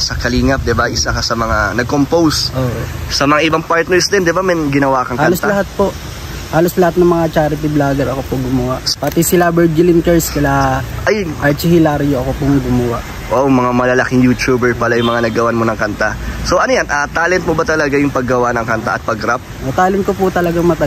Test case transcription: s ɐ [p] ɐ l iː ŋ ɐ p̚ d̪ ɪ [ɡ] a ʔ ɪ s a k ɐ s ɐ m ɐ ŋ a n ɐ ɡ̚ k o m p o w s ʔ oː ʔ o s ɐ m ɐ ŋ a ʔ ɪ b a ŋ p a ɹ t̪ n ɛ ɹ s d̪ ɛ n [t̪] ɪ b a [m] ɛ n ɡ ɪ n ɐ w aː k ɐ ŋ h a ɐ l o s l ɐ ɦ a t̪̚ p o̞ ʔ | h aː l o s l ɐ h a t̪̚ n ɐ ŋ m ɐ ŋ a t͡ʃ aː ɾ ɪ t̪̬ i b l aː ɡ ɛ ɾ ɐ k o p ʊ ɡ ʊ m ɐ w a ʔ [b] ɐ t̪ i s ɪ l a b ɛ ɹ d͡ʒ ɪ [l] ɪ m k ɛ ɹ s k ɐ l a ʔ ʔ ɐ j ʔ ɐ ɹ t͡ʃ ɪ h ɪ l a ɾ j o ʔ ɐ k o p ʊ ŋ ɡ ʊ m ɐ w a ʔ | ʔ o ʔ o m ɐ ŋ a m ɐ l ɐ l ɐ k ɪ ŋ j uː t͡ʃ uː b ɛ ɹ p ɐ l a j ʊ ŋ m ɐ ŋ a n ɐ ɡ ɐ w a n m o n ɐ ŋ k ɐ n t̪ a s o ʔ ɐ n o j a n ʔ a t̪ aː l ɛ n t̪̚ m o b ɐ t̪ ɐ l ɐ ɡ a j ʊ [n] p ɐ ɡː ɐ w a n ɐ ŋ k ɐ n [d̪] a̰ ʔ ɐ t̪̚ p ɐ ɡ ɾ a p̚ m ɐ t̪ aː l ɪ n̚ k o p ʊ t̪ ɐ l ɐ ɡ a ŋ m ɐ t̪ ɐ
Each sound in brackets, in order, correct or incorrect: incorrect: k, incorrect: b, incorrect: d̪, correct, incorrect: p, correct, incorrect: ŋ, incorrect: t̪

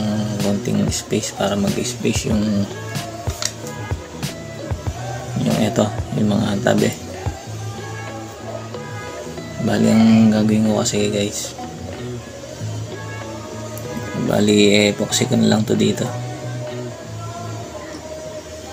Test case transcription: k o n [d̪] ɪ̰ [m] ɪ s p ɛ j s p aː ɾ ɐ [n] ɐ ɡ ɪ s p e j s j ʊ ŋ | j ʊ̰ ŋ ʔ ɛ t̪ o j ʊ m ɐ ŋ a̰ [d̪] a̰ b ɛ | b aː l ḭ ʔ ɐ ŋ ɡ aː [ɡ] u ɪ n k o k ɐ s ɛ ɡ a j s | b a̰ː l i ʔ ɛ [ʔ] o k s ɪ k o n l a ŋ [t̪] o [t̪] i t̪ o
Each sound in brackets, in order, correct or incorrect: incorrect: t̪, incorrect: ŋ, incorrect: m, incorrect: t̪, correct, incorrect: p, correct, incorrect: d̪

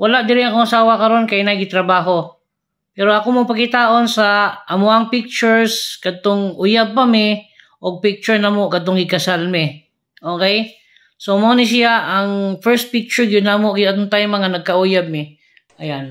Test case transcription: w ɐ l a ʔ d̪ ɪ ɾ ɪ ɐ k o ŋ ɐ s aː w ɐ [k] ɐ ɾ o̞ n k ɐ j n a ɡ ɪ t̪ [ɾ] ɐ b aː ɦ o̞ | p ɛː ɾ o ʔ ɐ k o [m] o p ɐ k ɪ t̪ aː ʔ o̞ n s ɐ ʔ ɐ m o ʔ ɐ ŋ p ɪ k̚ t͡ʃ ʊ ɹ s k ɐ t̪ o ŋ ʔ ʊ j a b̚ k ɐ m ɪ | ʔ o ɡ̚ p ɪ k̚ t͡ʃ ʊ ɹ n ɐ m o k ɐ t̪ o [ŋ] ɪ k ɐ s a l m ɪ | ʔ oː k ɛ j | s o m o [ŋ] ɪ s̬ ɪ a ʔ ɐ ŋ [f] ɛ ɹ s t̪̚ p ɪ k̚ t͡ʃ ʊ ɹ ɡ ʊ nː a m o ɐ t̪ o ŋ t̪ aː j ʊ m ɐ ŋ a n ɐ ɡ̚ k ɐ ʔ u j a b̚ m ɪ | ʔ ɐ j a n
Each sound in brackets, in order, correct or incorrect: correct, correct, correct, correct, incorrect: n, correct

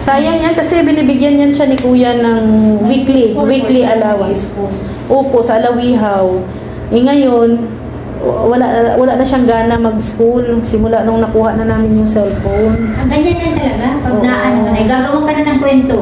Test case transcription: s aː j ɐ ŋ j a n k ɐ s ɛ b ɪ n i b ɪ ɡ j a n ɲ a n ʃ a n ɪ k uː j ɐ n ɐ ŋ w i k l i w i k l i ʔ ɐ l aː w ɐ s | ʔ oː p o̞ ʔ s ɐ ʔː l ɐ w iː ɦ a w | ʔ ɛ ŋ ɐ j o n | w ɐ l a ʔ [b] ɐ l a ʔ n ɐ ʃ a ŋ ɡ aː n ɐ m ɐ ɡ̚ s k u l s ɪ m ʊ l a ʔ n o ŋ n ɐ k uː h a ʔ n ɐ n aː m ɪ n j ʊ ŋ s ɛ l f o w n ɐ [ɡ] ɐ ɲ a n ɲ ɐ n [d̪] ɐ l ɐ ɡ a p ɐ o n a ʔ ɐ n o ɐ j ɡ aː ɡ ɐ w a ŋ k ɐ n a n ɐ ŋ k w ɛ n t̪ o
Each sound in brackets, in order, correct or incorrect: incorrect: w, correct, incorrect: t̪

